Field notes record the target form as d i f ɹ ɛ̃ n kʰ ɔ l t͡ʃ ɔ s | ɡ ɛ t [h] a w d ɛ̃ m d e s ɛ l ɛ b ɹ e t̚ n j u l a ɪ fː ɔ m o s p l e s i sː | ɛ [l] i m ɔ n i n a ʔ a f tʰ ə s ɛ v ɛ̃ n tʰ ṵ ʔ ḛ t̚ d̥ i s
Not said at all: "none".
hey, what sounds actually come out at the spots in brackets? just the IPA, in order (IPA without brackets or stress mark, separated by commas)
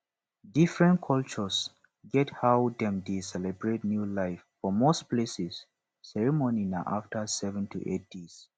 h, ɹ